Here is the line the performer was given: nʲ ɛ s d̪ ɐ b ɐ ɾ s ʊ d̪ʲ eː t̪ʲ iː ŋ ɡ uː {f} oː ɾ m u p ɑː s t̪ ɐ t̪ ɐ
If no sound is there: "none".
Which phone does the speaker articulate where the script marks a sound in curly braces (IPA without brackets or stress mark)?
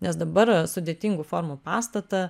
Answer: f